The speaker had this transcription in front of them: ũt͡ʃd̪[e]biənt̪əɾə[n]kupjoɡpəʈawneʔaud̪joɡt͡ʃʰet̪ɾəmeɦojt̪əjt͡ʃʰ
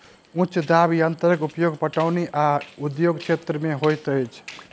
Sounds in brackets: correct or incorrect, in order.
incorrect: a, incorrect: none

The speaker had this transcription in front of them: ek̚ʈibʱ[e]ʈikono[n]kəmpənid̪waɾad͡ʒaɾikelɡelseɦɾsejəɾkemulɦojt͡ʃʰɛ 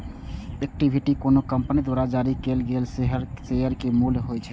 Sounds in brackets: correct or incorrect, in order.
incorrect: i, incorrect: none

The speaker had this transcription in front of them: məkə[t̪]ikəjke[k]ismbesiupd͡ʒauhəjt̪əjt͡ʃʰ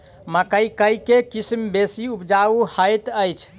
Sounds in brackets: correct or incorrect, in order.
incorrect: none, correct

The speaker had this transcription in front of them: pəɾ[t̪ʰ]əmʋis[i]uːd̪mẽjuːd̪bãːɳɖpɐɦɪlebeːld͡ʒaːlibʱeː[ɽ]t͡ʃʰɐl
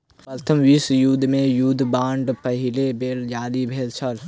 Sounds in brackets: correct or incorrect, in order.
correct, incorrect: j, incorrect: l

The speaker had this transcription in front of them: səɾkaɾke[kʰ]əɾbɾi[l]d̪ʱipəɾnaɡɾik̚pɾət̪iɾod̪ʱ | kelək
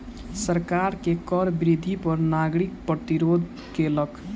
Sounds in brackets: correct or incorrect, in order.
incorrect: k, incorrect: none

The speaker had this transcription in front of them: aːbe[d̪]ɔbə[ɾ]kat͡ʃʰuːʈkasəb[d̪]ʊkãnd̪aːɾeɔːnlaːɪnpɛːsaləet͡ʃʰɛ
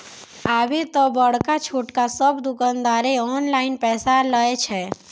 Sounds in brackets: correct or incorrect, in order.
incorrect: t̪, incorrect: ɽ, correct

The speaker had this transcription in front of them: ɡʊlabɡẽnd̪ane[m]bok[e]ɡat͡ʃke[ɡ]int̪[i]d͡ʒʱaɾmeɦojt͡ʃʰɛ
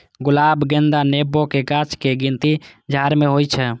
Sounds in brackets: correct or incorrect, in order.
incorrect: none, correct, correct, correct

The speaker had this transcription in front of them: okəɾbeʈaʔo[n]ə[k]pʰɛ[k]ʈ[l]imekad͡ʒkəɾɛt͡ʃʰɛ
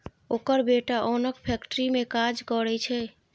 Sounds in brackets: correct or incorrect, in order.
correct, correct, correct, incorrect: ɾ

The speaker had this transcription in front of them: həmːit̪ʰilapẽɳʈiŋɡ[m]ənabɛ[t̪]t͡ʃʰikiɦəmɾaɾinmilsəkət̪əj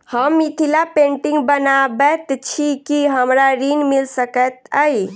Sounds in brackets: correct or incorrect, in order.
incorrect: b, correct

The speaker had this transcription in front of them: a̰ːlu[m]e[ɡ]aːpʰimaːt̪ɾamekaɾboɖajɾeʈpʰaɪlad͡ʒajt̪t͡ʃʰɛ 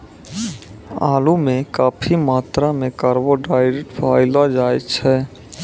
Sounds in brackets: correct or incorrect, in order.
correct, incorrect: k

